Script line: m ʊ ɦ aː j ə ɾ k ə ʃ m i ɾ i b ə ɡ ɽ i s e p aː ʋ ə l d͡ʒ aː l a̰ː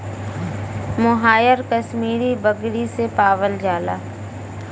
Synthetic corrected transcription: m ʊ ɦ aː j ə ɾ k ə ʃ m iː ɾ i b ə ɡ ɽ i s e p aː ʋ ə l d͡ʒ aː l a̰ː